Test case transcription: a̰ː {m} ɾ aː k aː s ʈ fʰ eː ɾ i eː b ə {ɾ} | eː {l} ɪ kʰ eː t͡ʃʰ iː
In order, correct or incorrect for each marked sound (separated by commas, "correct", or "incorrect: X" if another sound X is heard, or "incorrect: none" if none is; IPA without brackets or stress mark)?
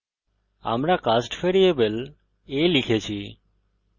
correct, incorrect: l, correct